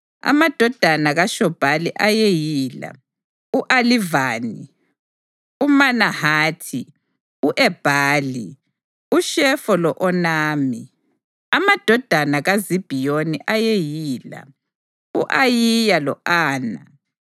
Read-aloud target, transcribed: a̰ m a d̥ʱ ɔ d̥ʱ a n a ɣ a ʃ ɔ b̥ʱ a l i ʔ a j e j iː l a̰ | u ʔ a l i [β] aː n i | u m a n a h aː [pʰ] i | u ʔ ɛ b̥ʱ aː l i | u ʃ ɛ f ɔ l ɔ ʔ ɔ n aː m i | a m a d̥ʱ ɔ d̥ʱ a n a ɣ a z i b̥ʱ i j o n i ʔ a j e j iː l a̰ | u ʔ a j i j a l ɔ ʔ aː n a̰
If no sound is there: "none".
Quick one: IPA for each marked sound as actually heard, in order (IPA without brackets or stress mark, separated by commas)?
v, tʰ